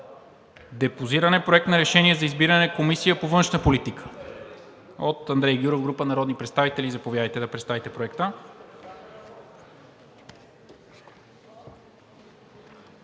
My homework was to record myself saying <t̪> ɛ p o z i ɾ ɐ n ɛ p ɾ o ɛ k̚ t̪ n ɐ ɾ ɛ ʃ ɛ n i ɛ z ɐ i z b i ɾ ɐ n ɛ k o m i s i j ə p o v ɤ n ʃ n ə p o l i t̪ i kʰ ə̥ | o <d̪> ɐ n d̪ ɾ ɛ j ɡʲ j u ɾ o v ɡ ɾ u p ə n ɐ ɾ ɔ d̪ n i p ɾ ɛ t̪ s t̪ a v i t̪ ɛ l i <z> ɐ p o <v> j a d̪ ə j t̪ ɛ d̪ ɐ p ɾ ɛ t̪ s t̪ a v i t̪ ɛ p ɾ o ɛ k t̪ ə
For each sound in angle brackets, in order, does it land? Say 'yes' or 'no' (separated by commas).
no, no, yes, yes